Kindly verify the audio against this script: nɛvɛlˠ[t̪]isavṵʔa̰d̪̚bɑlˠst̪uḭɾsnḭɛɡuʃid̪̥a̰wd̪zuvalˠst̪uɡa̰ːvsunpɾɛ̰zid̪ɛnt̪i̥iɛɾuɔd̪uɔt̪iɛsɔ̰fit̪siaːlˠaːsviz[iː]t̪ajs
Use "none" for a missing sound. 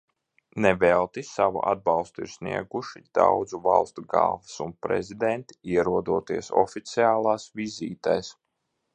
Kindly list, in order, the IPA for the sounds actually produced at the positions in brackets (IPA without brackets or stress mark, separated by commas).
t̪, iː